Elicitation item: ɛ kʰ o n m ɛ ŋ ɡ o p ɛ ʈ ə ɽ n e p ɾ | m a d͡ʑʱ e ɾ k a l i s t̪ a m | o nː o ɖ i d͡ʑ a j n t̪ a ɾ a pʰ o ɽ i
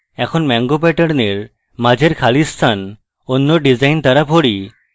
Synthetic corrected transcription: ɛ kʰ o n m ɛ ŋ ɡ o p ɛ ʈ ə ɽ n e ɾ | m a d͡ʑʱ e ɾ kʰ a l i s t̪ʰ a n | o nː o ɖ i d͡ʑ a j n t̪ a ɾ a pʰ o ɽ i